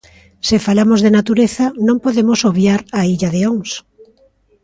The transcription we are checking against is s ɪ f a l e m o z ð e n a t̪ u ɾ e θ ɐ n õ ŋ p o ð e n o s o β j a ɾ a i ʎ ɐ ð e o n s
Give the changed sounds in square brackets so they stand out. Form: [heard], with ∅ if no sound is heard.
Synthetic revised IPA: s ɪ f a l [a] m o z ð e n a t̪ u ɾ e θ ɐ n õ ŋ p o ð e [m] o s o β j a ɾ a i ʎ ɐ ð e o [ŋ] s